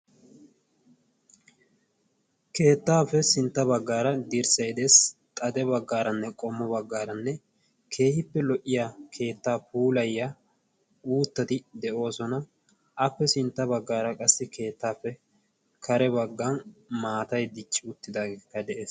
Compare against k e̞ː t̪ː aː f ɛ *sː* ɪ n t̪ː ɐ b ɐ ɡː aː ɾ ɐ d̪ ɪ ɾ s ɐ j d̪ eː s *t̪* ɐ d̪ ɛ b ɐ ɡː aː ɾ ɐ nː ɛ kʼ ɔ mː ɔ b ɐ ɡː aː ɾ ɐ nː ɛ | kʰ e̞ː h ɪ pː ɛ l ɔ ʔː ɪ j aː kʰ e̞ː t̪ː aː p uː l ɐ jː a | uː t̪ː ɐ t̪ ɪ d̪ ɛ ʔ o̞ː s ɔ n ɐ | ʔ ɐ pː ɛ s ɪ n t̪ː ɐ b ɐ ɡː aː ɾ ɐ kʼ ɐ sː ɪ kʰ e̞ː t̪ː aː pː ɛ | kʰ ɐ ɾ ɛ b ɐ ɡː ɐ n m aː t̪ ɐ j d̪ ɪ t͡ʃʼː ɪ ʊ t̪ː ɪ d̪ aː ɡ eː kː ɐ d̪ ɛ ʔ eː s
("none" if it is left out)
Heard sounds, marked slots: s, t̪ʼ

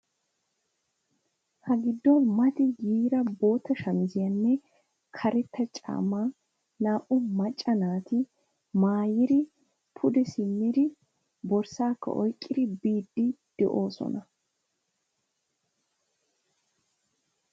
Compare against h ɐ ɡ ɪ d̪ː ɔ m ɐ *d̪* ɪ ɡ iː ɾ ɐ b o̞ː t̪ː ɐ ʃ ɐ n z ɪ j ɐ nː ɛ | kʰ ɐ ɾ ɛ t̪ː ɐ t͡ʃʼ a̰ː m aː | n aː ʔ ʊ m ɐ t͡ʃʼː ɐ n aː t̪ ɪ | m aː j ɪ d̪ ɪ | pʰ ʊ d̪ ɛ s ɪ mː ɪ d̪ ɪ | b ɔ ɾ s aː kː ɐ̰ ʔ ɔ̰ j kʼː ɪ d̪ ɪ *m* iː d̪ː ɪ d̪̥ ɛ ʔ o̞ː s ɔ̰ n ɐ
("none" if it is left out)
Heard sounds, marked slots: t̪, b

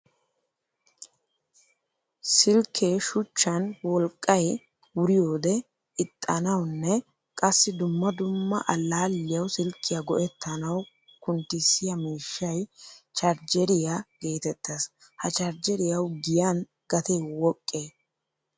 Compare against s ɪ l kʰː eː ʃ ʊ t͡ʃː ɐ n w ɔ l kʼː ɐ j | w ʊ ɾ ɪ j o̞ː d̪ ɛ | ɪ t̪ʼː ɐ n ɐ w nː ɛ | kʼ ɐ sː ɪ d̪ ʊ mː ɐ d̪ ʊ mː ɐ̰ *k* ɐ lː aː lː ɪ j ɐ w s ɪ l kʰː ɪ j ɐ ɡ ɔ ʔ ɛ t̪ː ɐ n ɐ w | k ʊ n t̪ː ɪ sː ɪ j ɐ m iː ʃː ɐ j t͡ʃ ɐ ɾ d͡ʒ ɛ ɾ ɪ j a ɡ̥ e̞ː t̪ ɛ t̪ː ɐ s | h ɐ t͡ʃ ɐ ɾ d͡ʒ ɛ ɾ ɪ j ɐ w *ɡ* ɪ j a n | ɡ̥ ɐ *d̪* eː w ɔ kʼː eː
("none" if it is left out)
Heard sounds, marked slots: ʔ, ɡ, t̪

